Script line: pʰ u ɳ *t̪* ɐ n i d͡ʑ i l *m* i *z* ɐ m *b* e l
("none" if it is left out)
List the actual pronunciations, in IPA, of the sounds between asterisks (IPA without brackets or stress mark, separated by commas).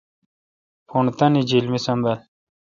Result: t̪, m, s, b